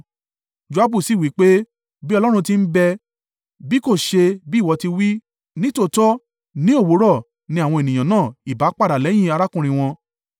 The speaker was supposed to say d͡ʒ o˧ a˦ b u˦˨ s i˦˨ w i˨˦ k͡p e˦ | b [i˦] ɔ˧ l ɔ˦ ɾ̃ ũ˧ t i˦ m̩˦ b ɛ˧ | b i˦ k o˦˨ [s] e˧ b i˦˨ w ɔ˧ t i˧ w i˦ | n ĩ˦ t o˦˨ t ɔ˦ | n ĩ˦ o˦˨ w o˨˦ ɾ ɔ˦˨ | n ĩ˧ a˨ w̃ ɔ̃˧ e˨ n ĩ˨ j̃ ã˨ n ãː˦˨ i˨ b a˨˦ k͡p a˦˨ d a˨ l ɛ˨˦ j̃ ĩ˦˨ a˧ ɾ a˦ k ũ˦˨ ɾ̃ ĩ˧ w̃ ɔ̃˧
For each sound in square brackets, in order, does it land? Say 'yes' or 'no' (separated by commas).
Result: yes, no